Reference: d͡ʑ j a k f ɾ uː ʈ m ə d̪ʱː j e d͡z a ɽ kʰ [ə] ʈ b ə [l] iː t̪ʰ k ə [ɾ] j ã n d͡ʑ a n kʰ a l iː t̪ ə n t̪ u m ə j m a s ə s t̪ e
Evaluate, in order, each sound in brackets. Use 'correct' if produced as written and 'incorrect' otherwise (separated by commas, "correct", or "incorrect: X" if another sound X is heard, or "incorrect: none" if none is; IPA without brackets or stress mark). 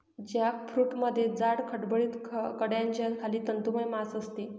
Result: correct, incorrect: ɭ, incorrect: ɽ